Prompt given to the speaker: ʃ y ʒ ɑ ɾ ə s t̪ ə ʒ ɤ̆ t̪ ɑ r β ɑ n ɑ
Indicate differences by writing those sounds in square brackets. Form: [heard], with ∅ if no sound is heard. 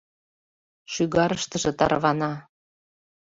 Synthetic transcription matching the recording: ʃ y [ɣ] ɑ ɾ ə [ʃ] t̪ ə ʒ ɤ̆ t̪ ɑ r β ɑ n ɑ